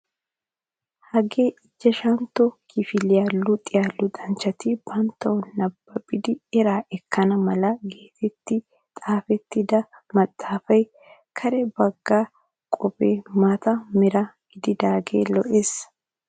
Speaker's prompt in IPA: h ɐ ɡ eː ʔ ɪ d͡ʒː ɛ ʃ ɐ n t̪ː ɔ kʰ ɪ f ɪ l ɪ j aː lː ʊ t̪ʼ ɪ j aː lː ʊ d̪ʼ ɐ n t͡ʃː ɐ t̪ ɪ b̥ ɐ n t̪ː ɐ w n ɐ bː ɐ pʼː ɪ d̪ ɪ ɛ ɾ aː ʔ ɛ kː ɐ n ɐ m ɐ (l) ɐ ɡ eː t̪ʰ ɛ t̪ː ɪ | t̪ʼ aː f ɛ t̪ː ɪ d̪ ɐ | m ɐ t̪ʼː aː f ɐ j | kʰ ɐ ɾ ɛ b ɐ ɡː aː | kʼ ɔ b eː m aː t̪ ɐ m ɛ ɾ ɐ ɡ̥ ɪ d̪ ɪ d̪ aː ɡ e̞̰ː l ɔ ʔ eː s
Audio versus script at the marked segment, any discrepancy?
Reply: no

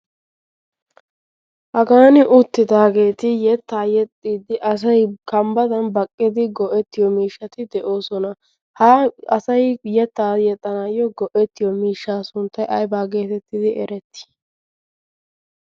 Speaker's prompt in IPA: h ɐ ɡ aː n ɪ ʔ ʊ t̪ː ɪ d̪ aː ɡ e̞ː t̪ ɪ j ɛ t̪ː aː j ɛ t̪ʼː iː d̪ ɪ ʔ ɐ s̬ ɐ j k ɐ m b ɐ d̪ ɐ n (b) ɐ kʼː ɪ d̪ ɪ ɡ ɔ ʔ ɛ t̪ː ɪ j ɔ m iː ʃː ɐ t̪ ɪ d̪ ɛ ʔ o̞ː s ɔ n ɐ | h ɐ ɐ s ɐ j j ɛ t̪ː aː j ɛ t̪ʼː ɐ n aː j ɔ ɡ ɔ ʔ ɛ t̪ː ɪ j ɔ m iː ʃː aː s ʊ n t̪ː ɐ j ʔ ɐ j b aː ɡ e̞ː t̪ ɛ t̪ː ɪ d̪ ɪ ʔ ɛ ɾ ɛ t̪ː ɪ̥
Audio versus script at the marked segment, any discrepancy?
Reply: no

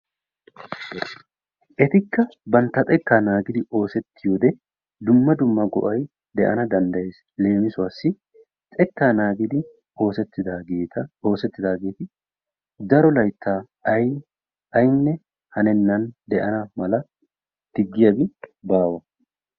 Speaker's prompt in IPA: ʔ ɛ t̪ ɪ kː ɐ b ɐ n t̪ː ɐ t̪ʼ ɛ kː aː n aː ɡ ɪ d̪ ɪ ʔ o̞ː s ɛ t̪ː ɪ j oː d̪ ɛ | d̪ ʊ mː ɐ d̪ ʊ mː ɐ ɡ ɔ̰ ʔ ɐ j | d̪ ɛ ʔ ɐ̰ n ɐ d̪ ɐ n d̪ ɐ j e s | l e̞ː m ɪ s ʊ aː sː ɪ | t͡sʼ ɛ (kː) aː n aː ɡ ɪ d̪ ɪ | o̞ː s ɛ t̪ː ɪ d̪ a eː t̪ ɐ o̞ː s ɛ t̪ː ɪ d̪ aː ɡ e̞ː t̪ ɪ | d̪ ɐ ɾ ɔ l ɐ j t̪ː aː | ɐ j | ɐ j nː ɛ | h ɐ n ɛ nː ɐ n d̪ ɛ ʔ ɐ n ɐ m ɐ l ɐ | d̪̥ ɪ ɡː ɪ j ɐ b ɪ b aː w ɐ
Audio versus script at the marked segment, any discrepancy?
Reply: no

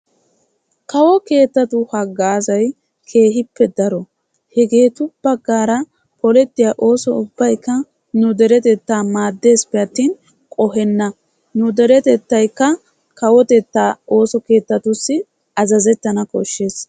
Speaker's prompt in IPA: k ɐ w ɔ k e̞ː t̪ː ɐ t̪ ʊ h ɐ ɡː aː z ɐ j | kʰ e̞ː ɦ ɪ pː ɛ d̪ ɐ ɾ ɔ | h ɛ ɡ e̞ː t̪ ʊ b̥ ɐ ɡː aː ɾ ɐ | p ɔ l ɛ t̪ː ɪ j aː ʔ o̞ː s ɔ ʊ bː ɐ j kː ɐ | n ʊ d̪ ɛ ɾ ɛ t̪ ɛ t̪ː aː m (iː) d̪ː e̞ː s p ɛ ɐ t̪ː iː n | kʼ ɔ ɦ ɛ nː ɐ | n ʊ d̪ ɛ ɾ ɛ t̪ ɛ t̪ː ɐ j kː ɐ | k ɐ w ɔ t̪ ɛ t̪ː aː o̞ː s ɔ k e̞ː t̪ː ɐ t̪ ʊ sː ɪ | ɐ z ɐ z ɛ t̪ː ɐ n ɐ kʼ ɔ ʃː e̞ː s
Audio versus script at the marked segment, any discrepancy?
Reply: yes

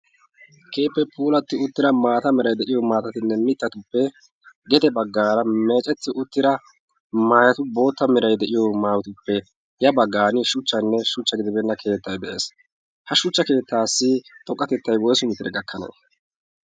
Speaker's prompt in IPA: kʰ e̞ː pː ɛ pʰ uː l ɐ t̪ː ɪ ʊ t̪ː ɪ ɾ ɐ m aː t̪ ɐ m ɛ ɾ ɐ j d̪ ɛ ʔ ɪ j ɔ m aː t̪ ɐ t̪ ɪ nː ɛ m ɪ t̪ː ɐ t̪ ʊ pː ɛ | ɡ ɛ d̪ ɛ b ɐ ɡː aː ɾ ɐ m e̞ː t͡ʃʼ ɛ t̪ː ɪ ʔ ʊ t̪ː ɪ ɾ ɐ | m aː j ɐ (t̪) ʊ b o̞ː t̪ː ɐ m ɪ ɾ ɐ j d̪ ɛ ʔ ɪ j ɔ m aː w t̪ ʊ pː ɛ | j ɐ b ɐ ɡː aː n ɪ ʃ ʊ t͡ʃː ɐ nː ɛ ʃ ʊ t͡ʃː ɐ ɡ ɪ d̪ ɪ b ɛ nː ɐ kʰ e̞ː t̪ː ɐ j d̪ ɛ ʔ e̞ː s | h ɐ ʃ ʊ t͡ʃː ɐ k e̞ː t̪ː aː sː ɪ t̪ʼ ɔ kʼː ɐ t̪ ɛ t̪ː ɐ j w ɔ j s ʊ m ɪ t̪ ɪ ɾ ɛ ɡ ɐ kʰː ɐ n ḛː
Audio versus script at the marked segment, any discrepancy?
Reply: no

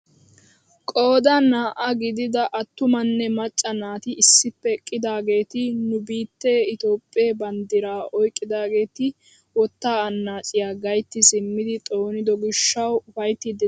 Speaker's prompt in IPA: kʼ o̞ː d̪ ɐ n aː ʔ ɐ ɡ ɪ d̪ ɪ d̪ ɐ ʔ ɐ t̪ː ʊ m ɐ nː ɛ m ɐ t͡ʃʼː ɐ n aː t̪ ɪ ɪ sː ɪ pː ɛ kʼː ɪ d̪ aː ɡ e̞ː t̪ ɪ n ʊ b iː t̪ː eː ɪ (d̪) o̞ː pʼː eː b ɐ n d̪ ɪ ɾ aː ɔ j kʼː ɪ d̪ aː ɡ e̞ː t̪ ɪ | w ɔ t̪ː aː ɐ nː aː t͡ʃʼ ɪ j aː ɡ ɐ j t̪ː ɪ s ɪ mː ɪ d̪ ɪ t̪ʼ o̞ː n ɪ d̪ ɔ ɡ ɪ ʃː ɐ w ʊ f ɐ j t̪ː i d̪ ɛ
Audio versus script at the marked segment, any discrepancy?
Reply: yes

